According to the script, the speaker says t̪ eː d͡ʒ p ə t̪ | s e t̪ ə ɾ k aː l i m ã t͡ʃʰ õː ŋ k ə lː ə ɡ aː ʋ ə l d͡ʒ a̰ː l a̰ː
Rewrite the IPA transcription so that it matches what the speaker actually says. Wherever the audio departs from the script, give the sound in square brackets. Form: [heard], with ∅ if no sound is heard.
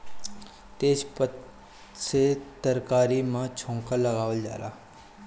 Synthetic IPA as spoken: t̪ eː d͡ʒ p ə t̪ | s e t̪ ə ɾ k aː [ɾ] i m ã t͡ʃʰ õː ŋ k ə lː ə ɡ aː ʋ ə l d͡ʒ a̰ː l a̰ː